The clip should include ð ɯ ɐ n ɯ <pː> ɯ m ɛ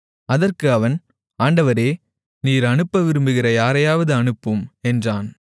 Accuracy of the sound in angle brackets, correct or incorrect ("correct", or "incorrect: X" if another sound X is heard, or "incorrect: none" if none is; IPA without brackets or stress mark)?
correct